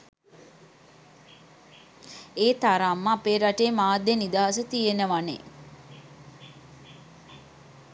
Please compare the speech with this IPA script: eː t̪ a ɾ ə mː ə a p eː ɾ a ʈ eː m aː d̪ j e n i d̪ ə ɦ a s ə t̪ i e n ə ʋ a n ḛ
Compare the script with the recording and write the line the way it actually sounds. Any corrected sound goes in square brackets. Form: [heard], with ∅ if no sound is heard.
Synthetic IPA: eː t̪ a ɾ [a] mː ə a p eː ɾ a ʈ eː m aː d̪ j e n i d̪ [a] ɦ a s ə t̪ i e n ə ʋ a n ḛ